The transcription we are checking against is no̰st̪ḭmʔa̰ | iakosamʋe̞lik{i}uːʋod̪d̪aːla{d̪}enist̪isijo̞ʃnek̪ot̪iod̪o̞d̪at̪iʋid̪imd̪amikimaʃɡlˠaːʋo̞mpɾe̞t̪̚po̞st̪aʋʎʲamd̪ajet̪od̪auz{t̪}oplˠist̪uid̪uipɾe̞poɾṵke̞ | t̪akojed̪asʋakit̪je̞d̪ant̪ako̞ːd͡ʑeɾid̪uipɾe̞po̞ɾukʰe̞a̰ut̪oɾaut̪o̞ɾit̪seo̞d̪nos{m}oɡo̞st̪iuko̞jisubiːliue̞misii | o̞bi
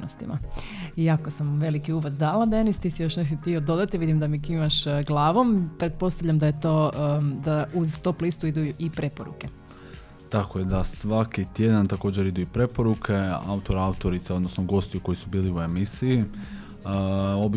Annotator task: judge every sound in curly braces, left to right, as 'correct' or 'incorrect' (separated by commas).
correct, correct, correct, incorrect